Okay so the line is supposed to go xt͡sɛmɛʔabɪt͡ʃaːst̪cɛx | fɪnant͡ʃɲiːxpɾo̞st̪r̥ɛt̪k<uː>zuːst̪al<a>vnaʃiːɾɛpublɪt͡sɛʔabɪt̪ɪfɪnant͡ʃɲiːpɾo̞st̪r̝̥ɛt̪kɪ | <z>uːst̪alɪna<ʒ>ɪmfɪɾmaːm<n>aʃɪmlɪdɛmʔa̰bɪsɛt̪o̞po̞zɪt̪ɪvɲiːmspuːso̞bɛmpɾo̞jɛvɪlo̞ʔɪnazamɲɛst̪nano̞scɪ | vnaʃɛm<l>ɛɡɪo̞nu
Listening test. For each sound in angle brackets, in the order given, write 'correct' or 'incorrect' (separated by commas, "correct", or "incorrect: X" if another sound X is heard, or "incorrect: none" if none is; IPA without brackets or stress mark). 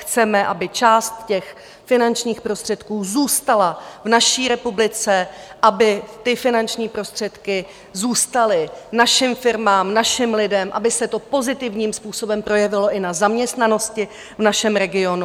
correct, correct, correct, incorrect: ʃ, correct, incorrect: ɾ